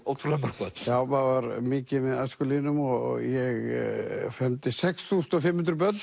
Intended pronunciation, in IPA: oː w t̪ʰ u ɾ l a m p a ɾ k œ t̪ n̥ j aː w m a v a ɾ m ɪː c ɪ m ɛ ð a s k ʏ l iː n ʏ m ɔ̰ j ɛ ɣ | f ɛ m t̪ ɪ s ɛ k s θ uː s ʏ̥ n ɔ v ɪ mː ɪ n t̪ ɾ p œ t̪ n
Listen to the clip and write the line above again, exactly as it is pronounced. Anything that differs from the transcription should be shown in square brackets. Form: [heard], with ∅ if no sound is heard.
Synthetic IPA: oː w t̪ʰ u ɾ l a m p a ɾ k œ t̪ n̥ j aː w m a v a ɾ m ɪː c ɪ m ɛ ð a s k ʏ l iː n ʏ m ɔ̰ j ɛ ɣ | f ɛ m t̪ ɪ s ɛ k s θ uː s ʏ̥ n ɔ [f] ɪ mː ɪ n t̪ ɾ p œ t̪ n